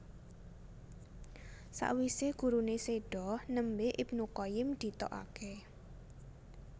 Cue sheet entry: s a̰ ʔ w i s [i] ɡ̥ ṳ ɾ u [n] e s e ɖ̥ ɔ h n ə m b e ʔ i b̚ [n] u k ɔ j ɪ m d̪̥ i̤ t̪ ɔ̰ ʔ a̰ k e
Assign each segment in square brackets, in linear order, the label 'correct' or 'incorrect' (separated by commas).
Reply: incorrect, correct, correct